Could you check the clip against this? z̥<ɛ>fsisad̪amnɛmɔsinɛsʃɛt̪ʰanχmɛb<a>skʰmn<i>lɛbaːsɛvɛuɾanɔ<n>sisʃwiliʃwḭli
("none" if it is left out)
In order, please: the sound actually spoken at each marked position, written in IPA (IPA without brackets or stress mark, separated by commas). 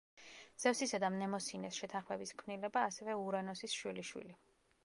ɛ, i, i, none